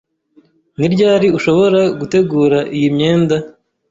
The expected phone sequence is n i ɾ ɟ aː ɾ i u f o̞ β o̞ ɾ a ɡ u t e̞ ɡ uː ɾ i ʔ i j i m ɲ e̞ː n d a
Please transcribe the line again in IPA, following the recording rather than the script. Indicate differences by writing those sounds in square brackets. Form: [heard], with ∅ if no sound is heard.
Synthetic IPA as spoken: n i ɾ ɟ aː ɾ i u [ʃ] o̞ β o̞ ɾ a ɡ u t e̞ ɡ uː ɾ [a] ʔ i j i m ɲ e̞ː n d a